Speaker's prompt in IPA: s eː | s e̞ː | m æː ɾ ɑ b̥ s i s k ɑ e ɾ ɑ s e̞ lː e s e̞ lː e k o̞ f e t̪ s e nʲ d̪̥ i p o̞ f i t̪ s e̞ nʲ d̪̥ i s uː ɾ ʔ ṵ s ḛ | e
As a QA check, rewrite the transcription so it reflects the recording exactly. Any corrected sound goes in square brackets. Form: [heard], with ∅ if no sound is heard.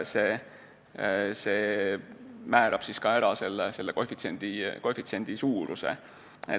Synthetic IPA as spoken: s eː | s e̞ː | m æː ɾ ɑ b̥ s i s k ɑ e ɾ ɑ s e̞ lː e s e̞ lː e k o̞ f [i] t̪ s e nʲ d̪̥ i [k] o̞ f i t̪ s e̞ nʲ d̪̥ i s uː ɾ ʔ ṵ s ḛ | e

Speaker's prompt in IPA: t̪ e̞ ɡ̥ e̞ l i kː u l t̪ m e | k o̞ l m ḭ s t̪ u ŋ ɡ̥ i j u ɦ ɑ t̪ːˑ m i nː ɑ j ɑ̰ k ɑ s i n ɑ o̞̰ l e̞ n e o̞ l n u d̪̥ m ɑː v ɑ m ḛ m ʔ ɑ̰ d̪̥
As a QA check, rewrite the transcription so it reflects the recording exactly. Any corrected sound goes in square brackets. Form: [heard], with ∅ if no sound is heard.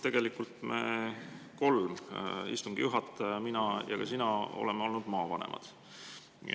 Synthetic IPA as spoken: t̪ e̞ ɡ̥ e̞ l i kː u l t̪ m e | k o̞ l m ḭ s t̪ u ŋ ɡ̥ i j u ɦ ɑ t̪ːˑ m i [n] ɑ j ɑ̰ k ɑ s i n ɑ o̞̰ l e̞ [m] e o̞ l n u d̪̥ m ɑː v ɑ [n] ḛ m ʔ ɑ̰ d̪̥

